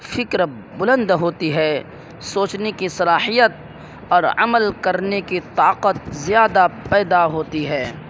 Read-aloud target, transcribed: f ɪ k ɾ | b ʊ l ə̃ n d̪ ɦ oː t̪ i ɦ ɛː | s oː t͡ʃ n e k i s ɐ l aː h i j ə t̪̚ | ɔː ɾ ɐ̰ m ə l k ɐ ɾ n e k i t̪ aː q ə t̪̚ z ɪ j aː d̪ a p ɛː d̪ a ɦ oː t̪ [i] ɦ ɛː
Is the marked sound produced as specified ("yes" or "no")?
yes